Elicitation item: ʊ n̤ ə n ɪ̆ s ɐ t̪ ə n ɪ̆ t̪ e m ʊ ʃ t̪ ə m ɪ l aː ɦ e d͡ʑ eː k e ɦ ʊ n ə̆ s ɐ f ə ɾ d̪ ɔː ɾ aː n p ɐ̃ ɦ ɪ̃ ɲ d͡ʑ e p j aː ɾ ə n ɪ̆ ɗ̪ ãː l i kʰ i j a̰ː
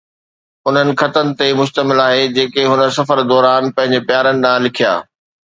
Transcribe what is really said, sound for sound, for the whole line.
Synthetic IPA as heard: ʊ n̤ ə n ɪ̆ x ɐ t̪ ə n ɪ̆ t̪ e m ʊ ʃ t̪ ə m ɪ l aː ɦ e d͡ʑ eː k e ɦ ʊ n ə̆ s ɐ f ə ɾ d̪ ɔː ɾ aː n p ɐ̃ ɦ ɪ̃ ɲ d͡ʑ e p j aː ɾ ə n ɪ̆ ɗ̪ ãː l ɪ kʰ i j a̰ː

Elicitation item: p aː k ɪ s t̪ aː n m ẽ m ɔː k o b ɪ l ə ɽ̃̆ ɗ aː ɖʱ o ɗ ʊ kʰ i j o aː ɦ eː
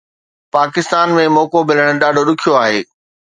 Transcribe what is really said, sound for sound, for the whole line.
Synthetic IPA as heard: p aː k ɪ s t̪ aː n m ẽ m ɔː k o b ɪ l ə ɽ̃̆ ɗ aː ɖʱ o ɗ ʊ kʰ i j o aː ɦ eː

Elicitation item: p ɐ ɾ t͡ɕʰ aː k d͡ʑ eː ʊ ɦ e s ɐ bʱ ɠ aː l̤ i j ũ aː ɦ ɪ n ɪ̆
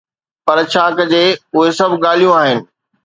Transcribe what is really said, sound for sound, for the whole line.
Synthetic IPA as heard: p ɐ ɾ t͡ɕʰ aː k d͡ʑ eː ʊ ɦ e s ɐ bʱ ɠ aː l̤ i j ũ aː ɦ ɪ n ɪ̆

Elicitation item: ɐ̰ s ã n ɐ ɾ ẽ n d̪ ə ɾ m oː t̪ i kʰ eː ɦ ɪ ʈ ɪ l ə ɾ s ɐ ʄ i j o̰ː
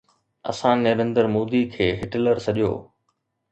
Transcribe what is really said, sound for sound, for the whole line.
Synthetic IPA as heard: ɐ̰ s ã n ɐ ɾ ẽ n d̪ ə ɾ m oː d̪ i kʰ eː ɦ ɪ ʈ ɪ l ə ɾ s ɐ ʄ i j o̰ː

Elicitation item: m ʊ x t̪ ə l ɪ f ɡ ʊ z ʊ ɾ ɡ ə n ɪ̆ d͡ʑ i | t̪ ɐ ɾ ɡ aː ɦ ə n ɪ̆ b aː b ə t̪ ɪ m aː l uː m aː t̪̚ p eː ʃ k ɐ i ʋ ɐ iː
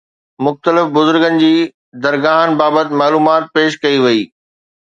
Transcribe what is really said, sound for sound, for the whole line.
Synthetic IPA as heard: m ʊ x t̪ ə l ɪ f b ʊ z ʊ ɾ ɡ ə n ɪ̆ d͡ʑ iː | d̪ ɐ ɾ ɡ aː ɦ ə n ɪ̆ b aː b ə t̪ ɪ m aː l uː m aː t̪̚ p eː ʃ k ɐ i ʋ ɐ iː

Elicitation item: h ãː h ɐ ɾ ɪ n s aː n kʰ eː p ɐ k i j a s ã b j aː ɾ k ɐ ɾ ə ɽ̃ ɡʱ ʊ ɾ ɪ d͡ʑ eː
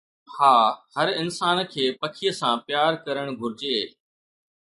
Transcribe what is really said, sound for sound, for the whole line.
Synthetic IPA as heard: h aː h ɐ ɾ ɪ n s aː n kʰ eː p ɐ kʰ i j ə s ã p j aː ɾ k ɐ ɾ ə ɽ̃ ɡʱ ʊ ɾ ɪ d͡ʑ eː

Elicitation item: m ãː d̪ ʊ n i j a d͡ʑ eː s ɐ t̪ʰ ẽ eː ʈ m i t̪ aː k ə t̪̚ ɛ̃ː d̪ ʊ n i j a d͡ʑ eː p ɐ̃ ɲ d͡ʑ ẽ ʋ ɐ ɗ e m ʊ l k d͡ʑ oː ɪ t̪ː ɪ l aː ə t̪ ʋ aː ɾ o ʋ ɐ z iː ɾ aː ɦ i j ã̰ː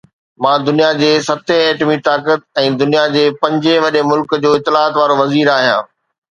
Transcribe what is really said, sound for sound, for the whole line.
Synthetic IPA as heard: m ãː d̪ ʊ n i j a d͡ʑ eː s ɐ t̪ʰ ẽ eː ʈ m i t̪ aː k ə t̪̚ ɛ̃ː d̪ ʊ n i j a d͡ʑ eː p ɐ̃ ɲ d͡ʑ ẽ ʋ ɐ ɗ e m ʊ l k d͡ʑ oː ɪ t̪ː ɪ l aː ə t̪ ʋ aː ɾ o ʋ ɐ z iː ɾ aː ɦ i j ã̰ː

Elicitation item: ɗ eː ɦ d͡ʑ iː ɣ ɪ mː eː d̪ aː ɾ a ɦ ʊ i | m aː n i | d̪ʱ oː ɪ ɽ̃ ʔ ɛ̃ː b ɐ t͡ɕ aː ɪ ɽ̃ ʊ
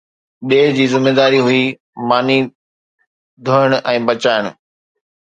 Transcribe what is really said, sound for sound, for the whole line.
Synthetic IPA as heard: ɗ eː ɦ d͡ʑ iː z ɪ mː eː d̪ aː ɾ i ɦ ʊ i | m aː n i | d̪ʱ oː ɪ ɽ̃ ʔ ɛ̃ː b ɐ t͡ɕ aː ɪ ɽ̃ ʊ

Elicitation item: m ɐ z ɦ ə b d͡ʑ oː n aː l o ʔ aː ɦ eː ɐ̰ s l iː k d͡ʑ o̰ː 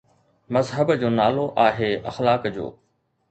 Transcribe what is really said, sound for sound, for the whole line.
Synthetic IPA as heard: m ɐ z ɦ ə b d͡ʑ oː n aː l o ʔ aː ɦ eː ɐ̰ x l aː k d͡ʑ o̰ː

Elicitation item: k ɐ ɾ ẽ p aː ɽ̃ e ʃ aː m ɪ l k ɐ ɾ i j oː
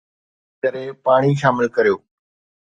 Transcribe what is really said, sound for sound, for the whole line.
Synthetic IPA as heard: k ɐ ɾ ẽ p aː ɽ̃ i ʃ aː m ɪ l k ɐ ɾ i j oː

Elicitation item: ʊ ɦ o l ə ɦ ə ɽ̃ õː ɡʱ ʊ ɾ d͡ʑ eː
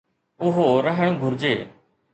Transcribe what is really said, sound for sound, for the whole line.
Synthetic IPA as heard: ʊ ɦ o ɾ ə ɦ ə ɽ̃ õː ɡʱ ʊ ɾ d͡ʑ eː

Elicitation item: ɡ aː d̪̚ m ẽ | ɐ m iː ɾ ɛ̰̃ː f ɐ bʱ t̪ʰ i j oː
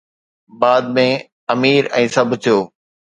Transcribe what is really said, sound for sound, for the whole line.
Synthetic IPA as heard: b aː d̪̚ m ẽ | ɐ m iː ɾ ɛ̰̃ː s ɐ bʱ t̪ʰ i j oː

